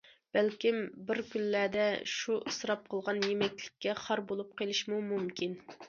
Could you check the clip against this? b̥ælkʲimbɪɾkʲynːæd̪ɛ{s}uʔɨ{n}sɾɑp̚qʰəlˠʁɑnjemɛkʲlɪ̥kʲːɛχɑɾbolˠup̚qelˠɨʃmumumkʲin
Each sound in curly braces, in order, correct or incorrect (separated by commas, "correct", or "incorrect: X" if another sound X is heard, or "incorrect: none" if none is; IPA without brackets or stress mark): incorrect: ʃ, incorrect: none